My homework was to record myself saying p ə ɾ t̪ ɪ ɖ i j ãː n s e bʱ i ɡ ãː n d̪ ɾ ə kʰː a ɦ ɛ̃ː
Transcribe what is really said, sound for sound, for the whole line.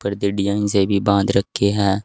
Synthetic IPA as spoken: p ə ɾ d̪ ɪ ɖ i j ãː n s e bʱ i b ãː n d̪ ɾ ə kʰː e ɦ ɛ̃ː